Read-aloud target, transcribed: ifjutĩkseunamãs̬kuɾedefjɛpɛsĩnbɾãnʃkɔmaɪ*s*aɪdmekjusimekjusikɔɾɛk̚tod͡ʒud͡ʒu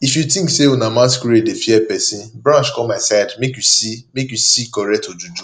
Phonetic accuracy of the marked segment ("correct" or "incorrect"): correct